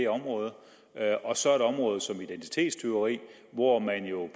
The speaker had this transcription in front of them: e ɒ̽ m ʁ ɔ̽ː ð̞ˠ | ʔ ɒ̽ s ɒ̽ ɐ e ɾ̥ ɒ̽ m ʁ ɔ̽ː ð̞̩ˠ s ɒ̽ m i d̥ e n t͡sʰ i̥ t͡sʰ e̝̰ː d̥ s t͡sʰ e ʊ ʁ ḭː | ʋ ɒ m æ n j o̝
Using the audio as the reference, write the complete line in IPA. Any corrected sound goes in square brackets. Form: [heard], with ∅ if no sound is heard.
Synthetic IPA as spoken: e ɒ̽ m ʁ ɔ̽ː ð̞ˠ | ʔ ɒ̽ s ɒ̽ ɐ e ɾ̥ ɒ̽ m ʁ ɔ̽ː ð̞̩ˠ s ɒ̽ m i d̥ e n t͡sʰ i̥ t͡sʰ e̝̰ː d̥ s t͡sʰ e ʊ ʁ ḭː | ʋ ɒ m æ n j o̝